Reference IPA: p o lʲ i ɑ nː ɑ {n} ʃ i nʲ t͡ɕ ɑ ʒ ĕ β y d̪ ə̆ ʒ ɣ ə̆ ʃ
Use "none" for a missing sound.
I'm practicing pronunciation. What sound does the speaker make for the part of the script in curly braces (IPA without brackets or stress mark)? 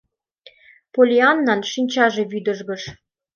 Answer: n